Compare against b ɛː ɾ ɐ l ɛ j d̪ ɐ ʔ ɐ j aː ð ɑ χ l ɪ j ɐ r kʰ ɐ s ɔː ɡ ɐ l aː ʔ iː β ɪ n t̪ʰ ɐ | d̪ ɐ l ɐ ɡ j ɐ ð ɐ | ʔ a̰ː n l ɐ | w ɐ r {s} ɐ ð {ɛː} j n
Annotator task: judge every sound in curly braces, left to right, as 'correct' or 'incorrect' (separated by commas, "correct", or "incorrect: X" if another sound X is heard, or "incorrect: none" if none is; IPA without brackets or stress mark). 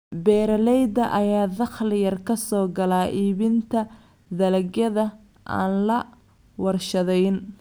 incorrect: ʃ, incorrect: ɛ